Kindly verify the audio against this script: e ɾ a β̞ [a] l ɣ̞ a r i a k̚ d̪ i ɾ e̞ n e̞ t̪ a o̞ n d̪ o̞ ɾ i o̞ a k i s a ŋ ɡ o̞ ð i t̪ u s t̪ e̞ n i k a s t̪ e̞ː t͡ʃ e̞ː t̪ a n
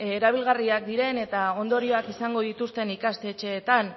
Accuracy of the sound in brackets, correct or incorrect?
incorrect